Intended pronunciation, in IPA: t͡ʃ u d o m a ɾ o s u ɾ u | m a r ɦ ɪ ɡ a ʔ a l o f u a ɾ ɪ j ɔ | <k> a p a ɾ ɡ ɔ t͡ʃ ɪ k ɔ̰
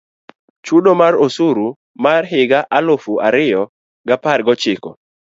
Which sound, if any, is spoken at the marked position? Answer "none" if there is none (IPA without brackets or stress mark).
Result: ɡ